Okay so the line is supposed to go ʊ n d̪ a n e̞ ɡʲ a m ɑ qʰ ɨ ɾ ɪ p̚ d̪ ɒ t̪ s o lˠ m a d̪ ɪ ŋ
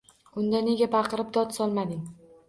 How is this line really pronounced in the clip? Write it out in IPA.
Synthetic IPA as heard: ʊ n d̪ a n e̞ ɡʲ a b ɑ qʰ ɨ ɾ ɪ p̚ d̪ ɒ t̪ s ɒ lˠ m a d̪ ɪ ŋ